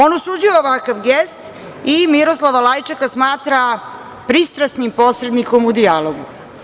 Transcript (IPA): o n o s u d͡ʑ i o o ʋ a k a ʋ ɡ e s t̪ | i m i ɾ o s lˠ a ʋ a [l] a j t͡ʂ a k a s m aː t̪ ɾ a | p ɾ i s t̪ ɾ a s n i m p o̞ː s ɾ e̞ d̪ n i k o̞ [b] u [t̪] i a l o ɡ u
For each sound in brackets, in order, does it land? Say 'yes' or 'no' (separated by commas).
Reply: yes, no, no